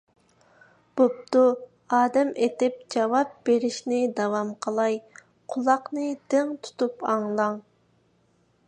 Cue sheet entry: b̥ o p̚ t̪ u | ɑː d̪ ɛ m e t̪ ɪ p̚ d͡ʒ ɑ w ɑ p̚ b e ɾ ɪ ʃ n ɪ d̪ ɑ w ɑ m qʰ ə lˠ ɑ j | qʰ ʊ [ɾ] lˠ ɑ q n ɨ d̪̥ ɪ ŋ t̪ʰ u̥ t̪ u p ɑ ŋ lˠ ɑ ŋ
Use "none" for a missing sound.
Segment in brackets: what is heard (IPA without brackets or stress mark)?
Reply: none